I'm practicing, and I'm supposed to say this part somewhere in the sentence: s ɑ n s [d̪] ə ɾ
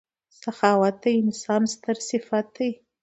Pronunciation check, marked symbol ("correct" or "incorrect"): incorrect